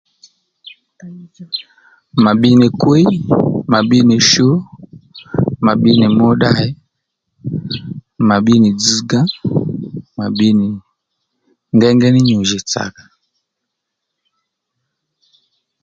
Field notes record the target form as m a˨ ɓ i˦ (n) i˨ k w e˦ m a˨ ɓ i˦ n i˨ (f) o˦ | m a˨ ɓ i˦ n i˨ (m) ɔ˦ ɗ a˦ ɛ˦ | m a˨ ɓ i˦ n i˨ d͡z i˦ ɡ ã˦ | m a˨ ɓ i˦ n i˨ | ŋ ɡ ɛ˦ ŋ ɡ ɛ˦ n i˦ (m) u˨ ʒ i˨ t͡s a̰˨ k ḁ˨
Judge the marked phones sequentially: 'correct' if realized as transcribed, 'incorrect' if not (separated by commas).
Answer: correct, incorrect, correct, incorrect